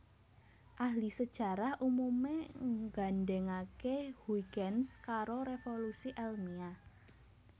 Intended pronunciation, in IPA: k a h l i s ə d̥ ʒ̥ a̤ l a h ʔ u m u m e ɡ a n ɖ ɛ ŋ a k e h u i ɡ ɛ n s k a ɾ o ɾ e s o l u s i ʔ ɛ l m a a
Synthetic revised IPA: ʔ a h l i s ə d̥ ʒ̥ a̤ ɾ a h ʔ u m u m e ɡ a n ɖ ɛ ŋ a k e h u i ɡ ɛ n s k a ɾ o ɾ e f o l u s i ʔ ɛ l m i a